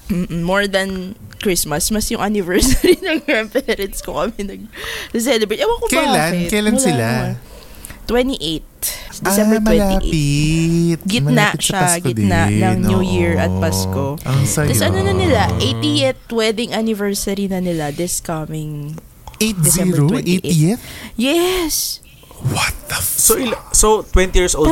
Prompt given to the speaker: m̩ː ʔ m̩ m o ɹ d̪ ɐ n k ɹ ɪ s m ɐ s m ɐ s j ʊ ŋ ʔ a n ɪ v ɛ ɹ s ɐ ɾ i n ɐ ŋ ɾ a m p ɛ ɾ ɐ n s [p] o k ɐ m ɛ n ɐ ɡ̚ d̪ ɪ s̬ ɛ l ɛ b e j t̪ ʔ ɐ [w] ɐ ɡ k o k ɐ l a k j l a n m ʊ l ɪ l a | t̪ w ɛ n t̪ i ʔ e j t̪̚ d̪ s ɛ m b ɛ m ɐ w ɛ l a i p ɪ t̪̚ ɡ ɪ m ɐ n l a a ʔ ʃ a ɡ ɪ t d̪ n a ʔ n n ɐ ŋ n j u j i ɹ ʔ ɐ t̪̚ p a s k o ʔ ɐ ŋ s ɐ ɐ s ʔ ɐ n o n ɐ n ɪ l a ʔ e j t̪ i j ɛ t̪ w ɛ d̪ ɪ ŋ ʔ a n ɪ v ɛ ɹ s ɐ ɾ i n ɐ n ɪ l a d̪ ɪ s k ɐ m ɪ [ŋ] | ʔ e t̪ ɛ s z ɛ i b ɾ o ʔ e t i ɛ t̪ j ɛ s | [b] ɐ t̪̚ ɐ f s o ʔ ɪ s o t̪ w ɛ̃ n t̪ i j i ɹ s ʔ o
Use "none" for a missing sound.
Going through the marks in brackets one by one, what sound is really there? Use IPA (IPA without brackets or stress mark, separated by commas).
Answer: k, w, ŋ, w